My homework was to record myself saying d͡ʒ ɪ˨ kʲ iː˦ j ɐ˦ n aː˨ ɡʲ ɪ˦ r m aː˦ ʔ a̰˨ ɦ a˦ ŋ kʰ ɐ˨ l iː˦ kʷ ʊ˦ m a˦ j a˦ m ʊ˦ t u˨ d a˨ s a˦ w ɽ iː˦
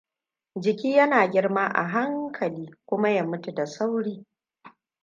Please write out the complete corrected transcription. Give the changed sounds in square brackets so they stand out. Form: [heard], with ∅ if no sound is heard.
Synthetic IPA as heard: d͡ʒ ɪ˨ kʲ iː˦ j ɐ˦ n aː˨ ɡʲ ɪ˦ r m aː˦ ʔ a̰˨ ɦ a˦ ŋ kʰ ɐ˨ l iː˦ kʷ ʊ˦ m a˦ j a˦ m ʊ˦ t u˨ d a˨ s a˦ w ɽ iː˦